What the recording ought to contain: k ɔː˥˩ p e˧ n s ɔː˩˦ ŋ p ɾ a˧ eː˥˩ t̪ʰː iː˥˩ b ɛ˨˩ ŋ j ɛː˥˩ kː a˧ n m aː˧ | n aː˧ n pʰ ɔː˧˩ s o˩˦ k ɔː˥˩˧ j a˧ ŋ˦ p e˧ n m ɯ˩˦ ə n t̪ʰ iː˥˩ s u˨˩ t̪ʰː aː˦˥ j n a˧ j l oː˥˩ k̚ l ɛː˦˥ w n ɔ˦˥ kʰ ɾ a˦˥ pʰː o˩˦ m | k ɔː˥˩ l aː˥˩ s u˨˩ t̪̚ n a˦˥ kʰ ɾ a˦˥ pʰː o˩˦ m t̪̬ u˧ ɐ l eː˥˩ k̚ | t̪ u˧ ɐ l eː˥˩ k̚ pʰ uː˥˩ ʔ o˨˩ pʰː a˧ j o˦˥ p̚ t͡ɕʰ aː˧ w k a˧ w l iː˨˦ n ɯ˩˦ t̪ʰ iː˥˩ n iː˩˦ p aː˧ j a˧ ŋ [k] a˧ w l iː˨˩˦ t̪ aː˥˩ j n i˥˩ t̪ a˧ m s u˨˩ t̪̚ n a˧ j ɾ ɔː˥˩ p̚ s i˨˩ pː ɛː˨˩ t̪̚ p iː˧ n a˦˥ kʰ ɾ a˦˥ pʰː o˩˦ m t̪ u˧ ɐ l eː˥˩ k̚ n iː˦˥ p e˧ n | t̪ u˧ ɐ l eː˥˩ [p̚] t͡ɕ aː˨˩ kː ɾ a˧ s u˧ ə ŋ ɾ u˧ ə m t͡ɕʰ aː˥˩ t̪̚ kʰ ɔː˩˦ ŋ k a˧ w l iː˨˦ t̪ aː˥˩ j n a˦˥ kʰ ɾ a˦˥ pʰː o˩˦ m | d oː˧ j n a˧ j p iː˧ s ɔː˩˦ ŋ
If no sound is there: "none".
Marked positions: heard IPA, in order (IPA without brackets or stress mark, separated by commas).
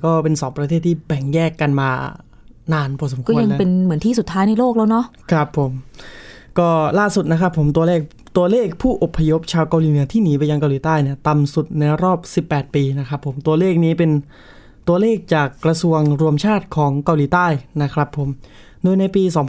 k, k̚